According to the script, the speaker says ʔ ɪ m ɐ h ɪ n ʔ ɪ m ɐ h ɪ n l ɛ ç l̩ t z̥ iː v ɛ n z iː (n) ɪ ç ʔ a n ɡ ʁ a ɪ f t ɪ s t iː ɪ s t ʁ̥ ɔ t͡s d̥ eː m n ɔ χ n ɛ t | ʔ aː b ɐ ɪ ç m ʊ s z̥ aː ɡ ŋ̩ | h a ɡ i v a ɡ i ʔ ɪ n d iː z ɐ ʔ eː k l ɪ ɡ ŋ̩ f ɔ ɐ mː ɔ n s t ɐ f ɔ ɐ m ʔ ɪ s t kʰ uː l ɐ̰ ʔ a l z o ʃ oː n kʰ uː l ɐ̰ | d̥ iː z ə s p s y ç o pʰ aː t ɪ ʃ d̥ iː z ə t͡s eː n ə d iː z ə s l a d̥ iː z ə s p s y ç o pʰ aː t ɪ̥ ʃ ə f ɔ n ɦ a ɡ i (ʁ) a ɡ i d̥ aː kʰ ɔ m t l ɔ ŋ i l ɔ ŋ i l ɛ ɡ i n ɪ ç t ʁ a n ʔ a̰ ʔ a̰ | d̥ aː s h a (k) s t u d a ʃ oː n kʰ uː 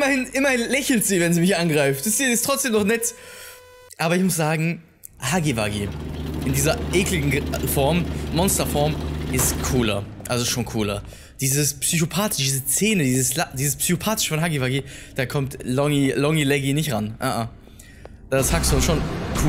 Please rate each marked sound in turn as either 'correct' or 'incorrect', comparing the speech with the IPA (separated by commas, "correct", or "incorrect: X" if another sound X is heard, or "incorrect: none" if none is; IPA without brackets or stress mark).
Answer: incorrect: m, incorrect: v, correct